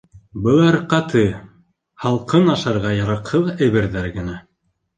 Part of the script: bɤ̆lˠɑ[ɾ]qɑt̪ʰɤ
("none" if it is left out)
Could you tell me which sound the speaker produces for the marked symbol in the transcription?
ɾ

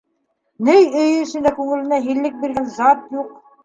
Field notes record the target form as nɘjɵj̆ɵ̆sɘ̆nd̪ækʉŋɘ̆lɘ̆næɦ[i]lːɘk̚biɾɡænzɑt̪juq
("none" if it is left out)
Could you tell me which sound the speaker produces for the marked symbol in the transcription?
i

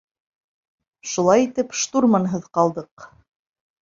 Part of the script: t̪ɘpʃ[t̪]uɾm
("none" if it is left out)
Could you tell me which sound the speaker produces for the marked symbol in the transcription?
t̪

